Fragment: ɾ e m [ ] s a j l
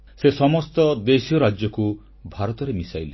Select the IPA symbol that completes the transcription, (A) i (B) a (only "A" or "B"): A